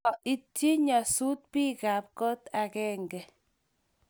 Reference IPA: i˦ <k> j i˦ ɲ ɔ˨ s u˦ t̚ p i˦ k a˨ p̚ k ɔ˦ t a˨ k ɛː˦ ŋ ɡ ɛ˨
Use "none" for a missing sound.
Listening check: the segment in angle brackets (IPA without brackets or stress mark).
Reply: t